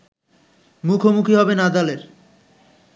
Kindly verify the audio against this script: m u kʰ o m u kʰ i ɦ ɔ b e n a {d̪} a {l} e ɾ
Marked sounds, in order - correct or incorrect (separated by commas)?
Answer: correct, correct